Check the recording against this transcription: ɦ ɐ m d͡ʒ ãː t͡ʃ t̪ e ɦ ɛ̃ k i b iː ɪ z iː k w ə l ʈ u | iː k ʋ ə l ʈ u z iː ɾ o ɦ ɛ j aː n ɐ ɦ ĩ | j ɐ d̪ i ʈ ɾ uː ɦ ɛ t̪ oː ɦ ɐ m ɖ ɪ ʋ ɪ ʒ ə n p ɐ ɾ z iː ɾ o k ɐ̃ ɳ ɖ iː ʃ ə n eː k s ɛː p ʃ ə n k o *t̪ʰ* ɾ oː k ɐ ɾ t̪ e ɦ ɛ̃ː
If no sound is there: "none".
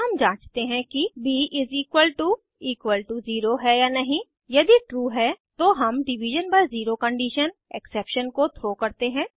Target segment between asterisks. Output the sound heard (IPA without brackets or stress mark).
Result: t̪ʰ